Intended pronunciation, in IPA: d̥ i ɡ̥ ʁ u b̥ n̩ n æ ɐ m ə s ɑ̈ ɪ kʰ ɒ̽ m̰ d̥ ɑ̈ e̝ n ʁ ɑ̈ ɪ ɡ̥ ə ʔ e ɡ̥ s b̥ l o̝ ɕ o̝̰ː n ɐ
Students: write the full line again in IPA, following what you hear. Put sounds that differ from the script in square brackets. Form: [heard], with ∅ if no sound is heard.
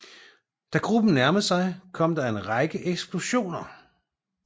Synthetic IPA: d̥ [æ] ɡ̥ ʁ u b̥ n̩ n æ ɐ m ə s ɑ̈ ɪ kʰ ɒ̽ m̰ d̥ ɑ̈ e̝ n ʁ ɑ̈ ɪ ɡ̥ ə ʔ e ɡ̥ s b̥ l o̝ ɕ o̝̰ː n ɐ

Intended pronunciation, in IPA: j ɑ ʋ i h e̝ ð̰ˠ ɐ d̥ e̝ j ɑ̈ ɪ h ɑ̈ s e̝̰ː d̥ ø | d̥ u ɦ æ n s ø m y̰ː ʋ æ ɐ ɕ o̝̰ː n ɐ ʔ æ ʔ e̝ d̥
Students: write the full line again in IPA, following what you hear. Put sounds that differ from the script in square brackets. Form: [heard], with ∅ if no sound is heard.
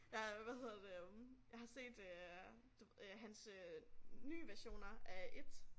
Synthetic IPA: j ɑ ʋ [æ] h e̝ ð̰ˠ ɐ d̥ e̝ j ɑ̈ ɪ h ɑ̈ s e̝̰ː d̥ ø | d̥ u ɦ æ n s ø [n] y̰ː ʋ æ ɐ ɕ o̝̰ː n ɐ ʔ æ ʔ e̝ d̥

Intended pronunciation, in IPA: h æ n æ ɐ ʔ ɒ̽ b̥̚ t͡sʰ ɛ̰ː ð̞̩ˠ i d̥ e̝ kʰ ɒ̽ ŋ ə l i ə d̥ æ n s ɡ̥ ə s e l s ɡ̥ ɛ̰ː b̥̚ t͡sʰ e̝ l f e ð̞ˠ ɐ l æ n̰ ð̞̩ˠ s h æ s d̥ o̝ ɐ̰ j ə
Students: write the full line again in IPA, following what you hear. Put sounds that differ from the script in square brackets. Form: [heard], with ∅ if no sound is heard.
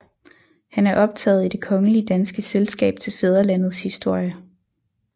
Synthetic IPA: h æ n æ ɐ ʔ ɒ̽ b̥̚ t͡sʰ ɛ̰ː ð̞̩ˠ i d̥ e̝ kʰ ɒ̽ ŋ ə l i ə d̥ æ n s ɡ̥ ə s e l s ɡ̥ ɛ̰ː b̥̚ t͡sʰ e̝ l f e ð̞ˠ ɐ l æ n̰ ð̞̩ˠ s h [i] s d̥ o̝ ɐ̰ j ə

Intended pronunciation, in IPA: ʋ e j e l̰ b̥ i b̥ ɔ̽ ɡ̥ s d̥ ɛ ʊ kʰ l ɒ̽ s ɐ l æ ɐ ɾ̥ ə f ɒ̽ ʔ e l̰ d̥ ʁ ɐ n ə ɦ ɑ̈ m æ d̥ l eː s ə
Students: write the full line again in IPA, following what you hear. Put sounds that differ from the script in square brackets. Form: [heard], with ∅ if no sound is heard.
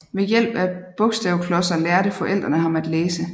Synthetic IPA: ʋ e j e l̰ b̥ [æ] b̥ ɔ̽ ɡ̥ s d̥ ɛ ʊ kʰ l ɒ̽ s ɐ l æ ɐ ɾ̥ ə f ɒ̽ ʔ e l̰ d̥ ʁ ɐ n ə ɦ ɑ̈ m æ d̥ l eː s ə

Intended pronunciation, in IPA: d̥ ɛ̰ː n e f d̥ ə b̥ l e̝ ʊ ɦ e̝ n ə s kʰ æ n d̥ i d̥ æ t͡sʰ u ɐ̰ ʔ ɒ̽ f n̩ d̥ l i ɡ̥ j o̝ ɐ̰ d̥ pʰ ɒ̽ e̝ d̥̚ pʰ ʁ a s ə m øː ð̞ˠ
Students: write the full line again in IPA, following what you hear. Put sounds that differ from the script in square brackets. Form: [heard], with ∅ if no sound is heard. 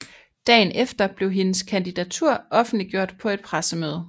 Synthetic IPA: d̥ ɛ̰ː n e f d̥ [ɐ] b̥ l e̝ ʊ ɦ e̝ n ə s kʰ æ n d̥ i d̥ æ t͡sʰ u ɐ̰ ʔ ɒ̽ f n̩ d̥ l i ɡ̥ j o̝ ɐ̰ d̥ pʰ ɒ̽ e̝ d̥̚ pʰ ʁ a s ə m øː ð̞ˠ

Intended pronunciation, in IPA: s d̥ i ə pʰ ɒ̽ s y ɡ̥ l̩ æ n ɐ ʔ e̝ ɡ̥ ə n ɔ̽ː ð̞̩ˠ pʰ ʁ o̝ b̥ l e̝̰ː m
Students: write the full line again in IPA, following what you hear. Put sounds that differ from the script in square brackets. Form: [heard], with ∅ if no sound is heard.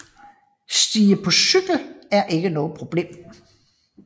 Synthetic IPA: s d̥ [iː] ə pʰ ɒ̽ s y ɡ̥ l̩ æ [∅] ɐ ʔ e̝ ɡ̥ ə n ɔ̽ː ð̞̩ˠ pʰ ʁ o̝ b̥ l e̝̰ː m

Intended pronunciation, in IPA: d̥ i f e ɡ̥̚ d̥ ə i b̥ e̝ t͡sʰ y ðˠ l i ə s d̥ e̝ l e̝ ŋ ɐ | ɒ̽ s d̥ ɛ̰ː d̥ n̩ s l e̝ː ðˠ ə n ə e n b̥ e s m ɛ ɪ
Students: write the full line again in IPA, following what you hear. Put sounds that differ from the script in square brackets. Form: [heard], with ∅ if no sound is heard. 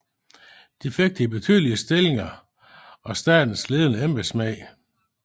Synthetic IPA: d̥ i f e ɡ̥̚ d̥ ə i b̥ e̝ t͡sʰ y ðˠ l i ə s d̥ e̝ l e̝ ŋ ɐ | ɒ̽ s d̥ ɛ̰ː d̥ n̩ s l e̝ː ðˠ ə n ə e [m] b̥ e s m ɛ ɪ

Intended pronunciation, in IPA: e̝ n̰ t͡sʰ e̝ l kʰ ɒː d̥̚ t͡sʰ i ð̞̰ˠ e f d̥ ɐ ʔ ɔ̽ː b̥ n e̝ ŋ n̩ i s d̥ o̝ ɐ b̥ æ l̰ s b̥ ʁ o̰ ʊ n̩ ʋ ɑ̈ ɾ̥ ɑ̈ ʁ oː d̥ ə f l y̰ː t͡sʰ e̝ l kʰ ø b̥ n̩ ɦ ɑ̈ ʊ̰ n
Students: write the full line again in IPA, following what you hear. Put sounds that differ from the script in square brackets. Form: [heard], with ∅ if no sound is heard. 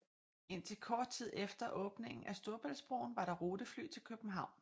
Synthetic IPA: e̝ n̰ t͡sʰ e̝ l kʰ ɒː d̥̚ t͡sʰ i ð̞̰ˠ e f d̥ ɐ ʔ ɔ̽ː b̥ n e̝ ŋ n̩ [æ] s d̥ o̝ ɐ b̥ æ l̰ s b̥ ʁ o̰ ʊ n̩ ʋ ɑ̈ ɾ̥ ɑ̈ ʁ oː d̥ ə f l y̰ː t͡sʰ e̝ l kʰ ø b̥ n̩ ɦ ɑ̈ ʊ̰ n

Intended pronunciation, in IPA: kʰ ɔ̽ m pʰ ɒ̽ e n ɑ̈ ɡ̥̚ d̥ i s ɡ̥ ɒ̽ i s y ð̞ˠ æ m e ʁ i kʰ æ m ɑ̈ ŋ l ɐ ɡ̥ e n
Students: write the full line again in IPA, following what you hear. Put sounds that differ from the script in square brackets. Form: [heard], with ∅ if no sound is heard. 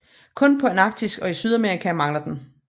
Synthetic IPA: kʰ ɔ̽ [n] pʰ ɒ̽ e n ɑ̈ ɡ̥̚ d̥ i s ɡ̥ ɒ̽ i s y ð̞ˠ æ m e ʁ i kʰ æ m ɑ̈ ŋ l ɐ [d̥] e n

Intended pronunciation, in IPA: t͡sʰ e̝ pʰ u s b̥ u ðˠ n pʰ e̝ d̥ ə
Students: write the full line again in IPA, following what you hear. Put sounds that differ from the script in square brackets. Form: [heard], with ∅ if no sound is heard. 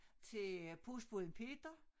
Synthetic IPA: t͡sʰ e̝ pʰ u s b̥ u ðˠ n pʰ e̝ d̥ [ɐ]

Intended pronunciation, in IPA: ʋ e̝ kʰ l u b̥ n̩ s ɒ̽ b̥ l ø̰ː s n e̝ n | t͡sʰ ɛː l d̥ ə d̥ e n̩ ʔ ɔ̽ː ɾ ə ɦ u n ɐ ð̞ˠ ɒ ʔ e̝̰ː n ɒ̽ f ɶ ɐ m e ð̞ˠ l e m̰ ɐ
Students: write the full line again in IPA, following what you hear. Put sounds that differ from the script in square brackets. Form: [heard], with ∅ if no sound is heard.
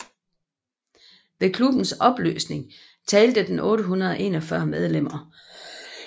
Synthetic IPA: ʋ e̝ kʰ l u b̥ n̩ s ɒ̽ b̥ l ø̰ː s n e̝ [ŋ] | t͡sʰ ɛː l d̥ ə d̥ e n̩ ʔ ɔ̽ː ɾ ə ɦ u n ɐ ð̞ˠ ɒ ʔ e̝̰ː n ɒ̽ f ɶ ɐ m e ð̞ˠ l e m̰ ɐ

